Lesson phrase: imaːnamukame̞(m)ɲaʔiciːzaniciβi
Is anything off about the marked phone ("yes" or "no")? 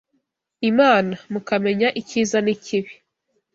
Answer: yes